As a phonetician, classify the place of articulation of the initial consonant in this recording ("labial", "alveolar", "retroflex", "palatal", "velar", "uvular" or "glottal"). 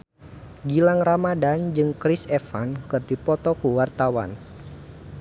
velar